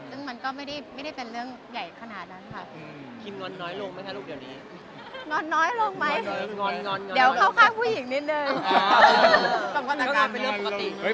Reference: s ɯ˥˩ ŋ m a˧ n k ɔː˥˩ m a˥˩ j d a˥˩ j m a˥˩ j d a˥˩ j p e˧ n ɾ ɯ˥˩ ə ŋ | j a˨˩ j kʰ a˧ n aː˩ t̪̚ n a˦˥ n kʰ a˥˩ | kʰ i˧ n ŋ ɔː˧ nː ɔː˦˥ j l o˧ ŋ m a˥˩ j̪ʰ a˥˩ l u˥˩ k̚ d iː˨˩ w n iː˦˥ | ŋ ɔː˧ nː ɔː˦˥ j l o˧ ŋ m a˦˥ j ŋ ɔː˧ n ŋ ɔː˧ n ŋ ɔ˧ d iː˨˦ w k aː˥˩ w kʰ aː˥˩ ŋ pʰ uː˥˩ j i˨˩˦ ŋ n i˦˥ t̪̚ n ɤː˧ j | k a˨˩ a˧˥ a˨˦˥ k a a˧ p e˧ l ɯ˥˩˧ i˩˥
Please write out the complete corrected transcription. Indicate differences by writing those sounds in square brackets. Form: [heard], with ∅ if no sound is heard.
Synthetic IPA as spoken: s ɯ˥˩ ŋ m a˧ n k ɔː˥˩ m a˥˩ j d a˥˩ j m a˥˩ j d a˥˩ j p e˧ n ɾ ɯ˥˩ ə ŋ | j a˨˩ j kʰ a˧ n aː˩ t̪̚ n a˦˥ n kʰ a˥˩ | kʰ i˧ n ŋ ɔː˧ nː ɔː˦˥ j l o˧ ŋ m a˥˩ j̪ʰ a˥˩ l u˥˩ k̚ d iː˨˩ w n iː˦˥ | ŋ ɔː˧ nː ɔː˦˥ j l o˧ ŋ m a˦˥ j ŋ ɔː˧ n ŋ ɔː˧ n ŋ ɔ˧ d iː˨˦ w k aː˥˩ w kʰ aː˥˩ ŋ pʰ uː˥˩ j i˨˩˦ ŋ n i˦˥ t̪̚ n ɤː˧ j | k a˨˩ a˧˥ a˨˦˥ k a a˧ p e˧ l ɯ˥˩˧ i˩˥